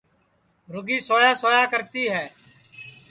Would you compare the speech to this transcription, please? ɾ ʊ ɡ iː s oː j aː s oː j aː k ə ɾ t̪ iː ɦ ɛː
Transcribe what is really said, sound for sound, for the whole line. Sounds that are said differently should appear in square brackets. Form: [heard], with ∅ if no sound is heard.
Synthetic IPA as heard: ɾ ʊ ɡ iː s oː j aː s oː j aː k ə ɾ t̪ iː ɦ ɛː